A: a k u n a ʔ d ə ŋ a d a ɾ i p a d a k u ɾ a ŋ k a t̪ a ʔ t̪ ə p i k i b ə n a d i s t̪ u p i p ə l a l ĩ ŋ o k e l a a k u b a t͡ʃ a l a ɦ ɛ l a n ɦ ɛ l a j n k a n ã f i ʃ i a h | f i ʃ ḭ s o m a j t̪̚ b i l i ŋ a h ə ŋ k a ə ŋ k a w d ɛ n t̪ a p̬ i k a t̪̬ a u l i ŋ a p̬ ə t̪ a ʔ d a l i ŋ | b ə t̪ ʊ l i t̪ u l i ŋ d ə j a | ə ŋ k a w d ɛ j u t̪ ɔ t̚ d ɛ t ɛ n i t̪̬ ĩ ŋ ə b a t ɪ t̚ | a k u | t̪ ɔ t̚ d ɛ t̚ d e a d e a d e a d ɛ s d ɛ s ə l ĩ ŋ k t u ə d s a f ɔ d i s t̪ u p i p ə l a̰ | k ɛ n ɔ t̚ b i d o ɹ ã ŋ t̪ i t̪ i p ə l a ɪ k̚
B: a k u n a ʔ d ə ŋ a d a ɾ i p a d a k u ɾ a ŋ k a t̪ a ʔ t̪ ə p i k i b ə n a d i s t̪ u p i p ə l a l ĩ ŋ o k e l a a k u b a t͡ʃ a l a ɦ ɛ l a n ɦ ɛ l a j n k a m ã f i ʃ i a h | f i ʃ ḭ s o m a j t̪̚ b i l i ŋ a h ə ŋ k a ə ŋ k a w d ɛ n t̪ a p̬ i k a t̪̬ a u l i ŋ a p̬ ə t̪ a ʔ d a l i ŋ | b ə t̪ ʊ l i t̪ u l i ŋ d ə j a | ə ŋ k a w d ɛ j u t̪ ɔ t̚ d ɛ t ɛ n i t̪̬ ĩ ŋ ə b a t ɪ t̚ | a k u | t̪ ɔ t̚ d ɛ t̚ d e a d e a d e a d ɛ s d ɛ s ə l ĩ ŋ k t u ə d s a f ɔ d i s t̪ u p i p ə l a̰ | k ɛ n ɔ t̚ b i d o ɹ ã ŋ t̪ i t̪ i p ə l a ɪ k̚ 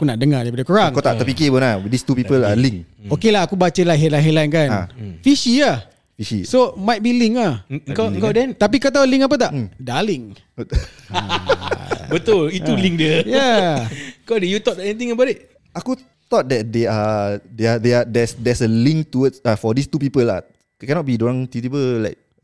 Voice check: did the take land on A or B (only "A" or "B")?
A